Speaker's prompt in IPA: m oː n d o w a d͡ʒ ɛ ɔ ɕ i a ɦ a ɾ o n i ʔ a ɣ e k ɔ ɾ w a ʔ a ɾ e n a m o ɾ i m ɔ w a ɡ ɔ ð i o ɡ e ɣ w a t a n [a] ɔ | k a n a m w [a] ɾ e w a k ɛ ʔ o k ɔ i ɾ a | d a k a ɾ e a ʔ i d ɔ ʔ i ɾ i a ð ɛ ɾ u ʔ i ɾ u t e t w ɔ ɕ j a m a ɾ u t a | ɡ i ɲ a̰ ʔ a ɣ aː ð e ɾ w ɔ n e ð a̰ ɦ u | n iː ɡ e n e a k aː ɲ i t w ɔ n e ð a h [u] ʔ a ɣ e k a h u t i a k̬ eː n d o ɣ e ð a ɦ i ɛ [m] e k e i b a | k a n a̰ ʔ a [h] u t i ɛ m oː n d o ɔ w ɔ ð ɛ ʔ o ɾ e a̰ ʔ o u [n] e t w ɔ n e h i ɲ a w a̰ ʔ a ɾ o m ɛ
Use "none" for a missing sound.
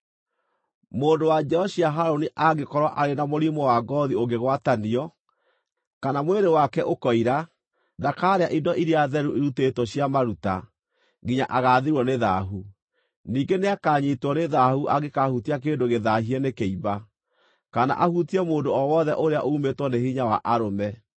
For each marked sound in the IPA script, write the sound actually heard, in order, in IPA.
i, e, u, n, h, m

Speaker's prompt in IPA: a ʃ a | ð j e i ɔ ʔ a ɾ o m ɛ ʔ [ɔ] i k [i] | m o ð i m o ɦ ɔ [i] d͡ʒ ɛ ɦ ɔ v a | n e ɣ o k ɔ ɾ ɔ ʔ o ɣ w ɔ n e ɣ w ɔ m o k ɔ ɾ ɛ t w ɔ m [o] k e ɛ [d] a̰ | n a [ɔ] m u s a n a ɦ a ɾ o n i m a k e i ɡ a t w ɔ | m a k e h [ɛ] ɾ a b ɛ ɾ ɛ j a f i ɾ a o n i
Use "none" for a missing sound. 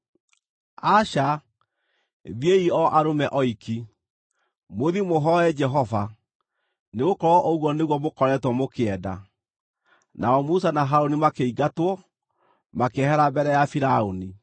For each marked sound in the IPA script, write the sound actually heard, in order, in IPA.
ɔ, i, ɛ, o, d, ɔ, ɛ

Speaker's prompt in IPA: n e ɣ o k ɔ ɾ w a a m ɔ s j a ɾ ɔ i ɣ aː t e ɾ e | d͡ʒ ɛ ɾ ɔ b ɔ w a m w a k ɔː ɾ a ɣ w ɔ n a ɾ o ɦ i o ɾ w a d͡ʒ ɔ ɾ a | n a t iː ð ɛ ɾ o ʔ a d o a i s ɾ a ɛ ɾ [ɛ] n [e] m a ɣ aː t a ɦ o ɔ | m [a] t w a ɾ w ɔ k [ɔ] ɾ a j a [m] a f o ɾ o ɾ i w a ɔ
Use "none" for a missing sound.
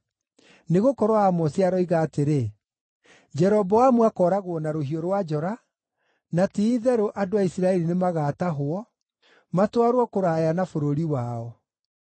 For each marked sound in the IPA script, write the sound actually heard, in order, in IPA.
i, e, a, o, n

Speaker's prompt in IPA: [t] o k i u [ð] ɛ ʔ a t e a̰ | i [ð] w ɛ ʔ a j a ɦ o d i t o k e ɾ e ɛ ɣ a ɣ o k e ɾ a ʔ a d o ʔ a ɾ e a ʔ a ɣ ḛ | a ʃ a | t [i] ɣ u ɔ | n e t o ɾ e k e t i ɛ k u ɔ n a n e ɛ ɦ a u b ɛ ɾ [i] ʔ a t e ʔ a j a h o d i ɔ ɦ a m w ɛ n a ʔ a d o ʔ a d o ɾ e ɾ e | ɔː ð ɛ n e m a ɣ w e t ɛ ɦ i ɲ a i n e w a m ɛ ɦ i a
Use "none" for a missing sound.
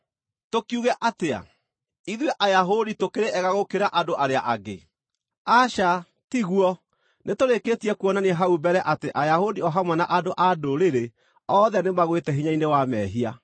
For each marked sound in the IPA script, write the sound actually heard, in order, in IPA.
t, ɣ, ð, i, ɛ

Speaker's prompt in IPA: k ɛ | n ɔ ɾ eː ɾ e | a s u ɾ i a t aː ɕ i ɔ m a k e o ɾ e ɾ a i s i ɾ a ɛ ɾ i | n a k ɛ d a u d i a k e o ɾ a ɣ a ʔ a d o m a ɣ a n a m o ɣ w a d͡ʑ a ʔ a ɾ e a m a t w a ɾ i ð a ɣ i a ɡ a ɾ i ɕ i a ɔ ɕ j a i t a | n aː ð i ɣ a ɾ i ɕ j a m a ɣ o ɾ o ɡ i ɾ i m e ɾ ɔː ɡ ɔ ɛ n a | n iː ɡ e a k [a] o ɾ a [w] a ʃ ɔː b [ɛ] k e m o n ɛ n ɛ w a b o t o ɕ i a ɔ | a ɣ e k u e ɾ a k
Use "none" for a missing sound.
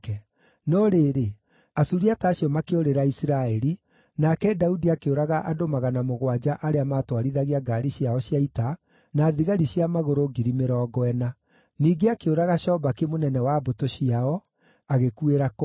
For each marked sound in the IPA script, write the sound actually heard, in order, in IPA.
e, ɣ, a

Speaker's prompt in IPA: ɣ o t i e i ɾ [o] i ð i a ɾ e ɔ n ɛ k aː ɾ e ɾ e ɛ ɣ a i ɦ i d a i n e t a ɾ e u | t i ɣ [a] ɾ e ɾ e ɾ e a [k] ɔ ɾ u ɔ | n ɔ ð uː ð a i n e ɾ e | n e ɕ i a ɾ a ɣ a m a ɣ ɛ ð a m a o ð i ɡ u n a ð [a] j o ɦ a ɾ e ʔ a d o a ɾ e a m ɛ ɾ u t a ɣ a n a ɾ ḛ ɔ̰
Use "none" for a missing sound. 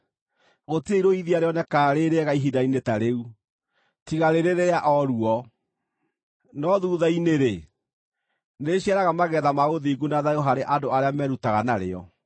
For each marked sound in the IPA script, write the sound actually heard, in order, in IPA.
o, a, ʔ, a

